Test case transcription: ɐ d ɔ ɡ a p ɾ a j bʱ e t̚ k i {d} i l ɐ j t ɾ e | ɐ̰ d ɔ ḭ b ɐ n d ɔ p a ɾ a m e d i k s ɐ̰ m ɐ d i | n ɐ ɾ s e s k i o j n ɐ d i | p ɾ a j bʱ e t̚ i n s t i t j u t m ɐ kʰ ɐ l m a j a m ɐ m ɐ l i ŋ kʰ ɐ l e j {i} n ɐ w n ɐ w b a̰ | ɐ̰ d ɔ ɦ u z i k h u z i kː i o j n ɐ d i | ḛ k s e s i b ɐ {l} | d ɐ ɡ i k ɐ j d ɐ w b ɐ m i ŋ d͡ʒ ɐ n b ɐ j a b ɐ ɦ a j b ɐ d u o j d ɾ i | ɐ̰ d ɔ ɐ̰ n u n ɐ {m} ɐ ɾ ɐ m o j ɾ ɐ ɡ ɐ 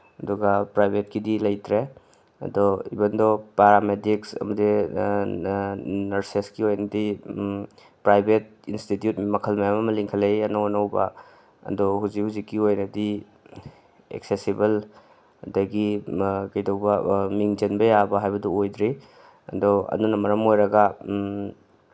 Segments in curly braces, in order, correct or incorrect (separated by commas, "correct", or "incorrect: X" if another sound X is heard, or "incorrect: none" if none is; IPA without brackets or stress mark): correct, incorrect: a, correct, correct